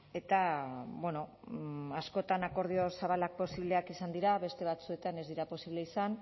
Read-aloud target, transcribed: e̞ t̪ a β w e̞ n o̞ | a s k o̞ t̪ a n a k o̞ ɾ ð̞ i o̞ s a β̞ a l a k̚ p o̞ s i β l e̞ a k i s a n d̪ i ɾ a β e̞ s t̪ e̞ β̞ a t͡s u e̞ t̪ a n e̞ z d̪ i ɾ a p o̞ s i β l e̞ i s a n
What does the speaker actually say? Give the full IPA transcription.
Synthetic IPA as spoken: e̞ t̪ a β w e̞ n o̞ | a s k o̞ t̪ a n a k o̞ ɾ ð̞ i o̞ s a β̞ a l a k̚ p o̞ s i β l e̞ a k i s a n d̪ i ɾ a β e̞ s t̪ e̞ β̞ a t͡s u e̞ t̪ a n e̞ z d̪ i ɾ a p o̞ s i β l e̞ i s a n